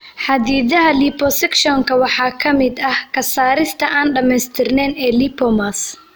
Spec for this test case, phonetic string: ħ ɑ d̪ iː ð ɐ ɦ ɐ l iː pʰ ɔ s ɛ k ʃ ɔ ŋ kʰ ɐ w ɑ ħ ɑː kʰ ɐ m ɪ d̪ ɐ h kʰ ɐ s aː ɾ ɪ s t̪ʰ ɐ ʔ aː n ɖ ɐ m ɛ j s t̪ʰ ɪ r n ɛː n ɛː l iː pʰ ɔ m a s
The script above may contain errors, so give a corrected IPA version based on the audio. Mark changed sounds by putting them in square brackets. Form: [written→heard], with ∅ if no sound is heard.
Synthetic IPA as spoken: ħ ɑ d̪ iː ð ɐ ɦ ɐ l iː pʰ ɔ s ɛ k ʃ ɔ ŋ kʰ ɐ w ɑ ħ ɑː kʰ ɐ m ɪ d̪ ɐ h kʰ ɐ s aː ɾ ɪ s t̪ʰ ɐ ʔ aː n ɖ ɐ m ɛ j s t̪ʰ ɪ r n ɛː n ɛː l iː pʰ ɔ m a s